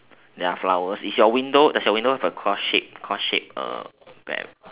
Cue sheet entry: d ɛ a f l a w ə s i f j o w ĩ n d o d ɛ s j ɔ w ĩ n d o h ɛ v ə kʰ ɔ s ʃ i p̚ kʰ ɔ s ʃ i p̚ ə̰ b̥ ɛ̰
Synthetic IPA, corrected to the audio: d ɛ a f l a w ə s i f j ɔ w ĩ n d o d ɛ s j ɔ w ĩ n d o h ɛ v ə kʰ ɔ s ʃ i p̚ kʰ ɔ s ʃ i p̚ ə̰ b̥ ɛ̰